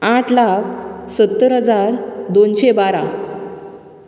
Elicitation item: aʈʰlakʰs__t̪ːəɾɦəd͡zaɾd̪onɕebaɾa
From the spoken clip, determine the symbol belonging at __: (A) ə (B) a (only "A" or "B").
A